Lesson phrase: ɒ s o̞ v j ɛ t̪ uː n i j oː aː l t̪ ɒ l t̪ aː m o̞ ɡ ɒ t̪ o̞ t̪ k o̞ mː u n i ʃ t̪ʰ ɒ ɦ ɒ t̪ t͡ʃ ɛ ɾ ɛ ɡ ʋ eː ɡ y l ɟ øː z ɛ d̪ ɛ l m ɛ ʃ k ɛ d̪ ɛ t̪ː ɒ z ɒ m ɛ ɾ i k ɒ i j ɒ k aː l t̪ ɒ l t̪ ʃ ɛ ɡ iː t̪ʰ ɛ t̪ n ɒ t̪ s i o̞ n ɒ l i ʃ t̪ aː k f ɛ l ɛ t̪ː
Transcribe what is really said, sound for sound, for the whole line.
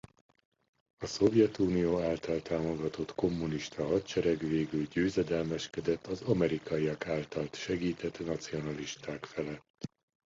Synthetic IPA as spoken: ɒ s o̞ v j ɛ t̪ uː n i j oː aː l t̪ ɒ l t̪ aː m o̞ ɡ ɒ t̪ o̞ t̪ k o̞ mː u n i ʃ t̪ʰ ɒ ɦ ɒ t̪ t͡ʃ ɛ ɾ ɛ ɡ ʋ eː ɡ y l ɟ øː z ɛ d̪ ɛ l m ɛ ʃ k ɛ d̪ ɛ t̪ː ɒ z ɒ m ɛ ɾ i k ɒ i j ɒ k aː l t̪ ɒ l t̪ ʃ ɛ ɡ iː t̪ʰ ɛ t̪ n ɒ t̪ s i o̞ n ɒ l i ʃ t̪ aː k f ɛ l ɛ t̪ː